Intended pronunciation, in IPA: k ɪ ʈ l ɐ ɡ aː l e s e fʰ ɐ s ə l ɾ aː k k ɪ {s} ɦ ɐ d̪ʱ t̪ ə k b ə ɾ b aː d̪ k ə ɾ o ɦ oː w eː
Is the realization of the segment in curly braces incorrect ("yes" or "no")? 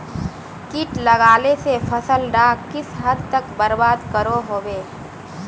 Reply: no